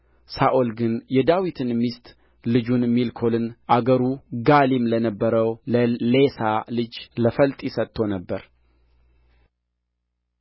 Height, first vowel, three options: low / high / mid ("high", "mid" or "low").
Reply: low